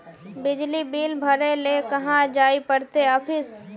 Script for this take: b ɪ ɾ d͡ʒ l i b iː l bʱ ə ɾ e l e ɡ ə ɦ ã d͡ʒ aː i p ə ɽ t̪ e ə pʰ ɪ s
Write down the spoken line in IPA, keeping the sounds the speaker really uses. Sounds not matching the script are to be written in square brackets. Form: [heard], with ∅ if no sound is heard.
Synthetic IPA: b ɪ [∅] d͡ʒ l i b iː l bʱ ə ɾ e l e [k] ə ɦ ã d͡ʒ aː i p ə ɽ t̪ e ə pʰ ɪ s